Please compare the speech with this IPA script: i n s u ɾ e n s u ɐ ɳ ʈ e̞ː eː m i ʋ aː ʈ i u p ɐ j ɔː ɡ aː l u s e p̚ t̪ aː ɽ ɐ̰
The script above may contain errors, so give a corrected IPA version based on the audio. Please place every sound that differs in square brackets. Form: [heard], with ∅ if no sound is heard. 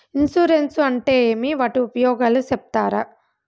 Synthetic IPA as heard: i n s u ɾ e n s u ɐ ɳ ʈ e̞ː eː m i ʋ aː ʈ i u p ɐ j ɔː ɡ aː l u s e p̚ t̪ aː [ɾ] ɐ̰